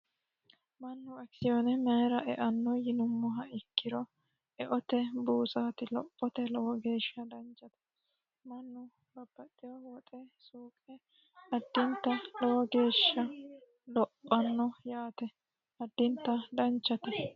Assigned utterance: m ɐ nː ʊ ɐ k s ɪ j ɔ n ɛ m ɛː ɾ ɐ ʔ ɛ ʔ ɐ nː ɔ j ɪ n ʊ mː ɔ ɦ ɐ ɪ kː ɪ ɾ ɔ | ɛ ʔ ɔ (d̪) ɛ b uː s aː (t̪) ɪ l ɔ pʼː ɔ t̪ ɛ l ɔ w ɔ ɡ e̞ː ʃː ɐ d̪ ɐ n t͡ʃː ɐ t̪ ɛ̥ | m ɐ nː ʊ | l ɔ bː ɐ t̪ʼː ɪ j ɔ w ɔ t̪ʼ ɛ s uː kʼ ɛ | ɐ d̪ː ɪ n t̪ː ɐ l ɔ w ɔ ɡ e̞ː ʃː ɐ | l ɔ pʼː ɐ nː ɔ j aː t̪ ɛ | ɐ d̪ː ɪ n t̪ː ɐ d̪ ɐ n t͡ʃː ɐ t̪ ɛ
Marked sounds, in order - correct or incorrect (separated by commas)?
incorrect, correct